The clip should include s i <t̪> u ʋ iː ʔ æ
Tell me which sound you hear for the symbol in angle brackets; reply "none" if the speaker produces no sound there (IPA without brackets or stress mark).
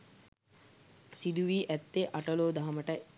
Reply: d̪